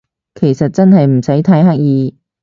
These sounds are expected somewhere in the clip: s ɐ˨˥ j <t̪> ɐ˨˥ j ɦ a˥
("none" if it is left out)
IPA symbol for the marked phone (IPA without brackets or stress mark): t̪ʰ